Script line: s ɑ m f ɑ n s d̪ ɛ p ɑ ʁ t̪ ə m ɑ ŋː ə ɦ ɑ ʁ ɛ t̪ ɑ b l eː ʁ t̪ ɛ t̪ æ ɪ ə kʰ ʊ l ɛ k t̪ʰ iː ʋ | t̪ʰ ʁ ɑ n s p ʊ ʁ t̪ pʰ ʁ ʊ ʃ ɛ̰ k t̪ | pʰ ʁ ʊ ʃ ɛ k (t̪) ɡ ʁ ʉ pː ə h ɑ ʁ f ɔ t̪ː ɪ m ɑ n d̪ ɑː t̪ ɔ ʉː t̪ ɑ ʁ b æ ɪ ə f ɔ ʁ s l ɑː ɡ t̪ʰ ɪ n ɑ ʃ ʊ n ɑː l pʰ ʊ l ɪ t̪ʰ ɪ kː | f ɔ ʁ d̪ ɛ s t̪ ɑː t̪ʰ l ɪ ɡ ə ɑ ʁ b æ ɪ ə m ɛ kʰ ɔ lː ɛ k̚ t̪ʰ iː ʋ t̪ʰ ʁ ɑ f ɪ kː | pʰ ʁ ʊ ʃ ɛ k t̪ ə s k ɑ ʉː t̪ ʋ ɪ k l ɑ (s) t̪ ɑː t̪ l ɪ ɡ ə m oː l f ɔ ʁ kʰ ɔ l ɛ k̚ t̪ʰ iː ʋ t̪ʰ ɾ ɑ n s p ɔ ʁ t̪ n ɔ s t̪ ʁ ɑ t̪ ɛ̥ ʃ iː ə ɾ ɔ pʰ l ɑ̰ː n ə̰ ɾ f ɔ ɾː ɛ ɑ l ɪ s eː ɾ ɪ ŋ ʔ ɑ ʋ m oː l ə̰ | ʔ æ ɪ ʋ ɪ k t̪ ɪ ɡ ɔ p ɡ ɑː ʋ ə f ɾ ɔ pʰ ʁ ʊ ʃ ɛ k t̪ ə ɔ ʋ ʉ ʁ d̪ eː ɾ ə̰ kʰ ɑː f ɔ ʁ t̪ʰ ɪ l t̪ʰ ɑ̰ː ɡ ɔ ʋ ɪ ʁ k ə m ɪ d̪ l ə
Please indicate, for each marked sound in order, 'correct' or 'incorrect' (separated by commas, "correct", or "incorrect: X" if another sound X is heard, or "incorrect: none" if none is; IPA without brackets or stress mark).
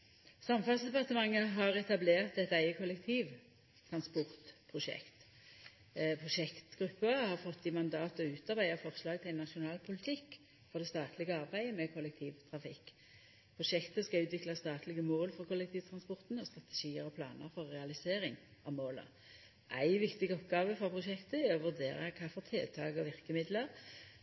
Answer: correct, correct